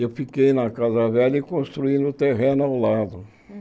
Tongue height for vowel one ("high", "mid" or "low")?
mid